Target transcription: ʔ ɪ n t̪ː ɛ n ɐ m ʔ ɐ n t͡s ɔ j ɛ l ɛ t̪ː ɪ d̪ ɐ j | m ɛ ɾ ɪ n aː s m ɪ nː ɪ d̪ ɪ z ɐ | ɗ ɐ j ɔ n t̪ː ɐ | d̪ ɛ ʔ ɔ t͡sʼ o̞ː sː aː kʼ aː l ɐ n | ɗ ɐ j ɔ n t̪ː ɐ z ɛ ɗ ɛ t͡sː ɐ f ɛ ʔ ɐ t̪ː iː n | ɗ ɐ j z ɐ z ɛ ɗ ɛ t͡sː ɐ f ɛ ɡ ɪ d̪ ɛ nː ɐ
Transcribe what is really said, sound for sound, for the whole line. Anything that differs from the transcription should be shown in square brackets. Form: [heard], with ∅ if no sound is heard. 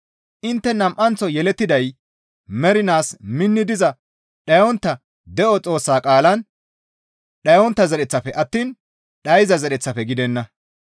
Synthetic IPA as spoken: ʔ ɪ n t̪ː ɛ n ɐ m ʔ ɐ n t͡s ɔ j ɛ l ɛ t̪ː ɪ d̪ ɐ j | m ɛ ɾ ɪ n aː s m ɪ nː ɪ d̪ ɪ z ɐ | ɗ ɐ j ɔ n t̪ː ɐ | d̪ ɛ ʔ ɔ t͡sʼ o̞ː sː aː kʼ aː l ɐ n | ɗ ɐ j ɔ n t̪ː ɐ z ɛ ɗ ɛ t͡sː ɐ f ɛ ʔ ɐ t̪ː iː n | ɗ ɐ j z ɐ z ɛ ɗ ɛ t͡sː ɐ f ɛ ɡ ɪ d̪ ɛ nː ɐ